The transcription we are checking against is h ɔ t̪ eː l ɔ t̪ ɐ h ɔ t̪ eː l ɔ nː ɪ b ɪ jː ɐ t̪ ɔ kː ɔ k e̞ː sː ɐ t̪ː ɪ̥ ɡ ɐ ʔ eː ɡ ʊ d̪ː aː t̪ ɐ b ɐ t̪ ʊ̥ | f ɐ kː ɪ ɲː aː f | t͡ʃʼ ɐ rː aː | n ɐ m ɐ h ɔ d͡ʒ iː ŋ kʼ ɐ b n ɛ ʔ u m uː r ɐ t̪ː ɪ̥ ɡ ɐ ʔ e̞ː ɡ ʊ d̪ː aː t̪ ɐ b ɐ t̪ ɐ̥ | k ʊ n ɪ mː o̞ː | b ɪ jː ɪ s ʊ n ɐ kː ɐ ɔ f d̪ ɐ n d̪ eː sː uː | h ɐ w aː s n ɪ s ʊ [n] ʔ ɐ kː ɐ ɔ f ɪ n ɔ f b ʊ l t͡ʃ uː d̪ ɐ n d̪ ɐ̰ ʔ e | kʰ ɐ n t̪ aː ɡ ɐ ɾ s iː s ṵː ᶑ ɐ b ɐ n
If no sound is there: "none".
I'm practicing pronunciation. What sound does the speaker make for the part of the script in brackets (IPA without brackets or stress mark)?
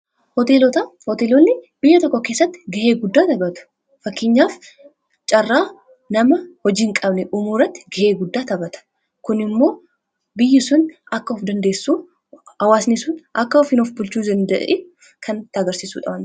n